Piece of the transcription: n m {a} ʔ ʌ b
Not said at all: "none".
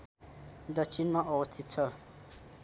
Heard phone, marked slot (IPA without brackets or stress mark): a